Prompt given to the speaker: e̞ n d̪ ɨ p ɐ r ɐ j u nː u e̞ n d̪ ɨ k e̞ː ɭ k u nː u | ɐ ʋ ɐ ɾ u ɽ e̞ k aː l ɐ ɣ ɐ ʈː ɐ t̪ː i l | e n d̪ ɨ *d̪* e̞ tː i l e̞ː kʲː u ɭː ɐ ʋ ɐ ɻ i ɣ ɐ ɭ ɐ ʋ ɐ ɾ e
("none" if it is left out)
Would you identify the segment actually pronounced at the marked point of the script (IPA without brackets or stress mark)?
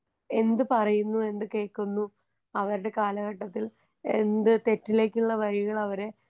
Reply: t̪